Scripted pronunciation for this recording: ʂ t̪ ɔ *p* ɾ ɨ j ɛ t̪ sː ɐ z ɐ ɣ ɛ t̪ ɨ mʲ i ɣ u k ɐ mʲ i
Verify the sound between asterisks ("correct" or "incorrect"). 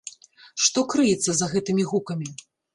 incorrect